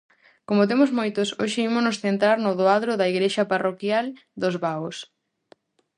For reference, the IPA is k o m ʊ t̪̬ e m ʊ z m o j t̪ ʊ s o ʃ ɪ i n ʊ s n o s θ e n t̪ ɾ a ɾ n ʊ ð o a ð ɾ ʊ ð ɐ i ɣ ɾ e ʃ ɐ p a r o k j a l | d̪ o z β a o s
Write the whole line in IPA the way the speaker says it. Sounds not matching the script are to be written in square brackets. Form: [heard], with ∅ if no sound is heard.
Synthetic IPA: k o m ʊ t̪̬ e m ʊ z m o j t̪ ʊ s o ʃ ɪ i [m] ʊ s n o s θ e n t̪ ɾ a ɾ n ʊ ð o a ð ɾ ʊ ð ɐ i ɣ ɾ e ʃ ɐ p a r o k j a l | d̪ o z β a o s